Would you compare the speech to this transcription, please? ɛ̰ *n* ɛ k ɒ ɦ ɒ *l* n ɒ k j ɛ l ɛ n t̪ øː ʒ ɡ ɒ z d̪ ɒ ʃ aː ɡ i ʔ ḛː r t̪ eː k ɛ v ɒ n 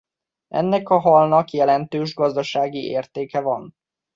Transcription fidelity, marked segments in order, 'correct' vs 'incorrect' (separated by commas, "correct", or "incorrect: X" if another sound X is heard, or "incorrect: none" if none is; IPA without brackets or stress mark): incorrect: nː, correct